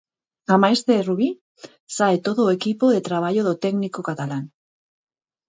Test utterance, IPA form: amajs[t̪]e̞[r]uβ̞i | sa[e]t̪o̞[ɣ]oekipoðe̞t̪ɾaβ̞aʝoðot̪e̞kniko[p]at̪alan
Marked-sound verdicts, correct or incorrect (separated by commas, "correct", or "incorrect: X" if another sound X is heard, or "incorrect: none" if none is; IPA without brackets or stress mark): correct, correct, correct, incorrect: ð, incorrect: k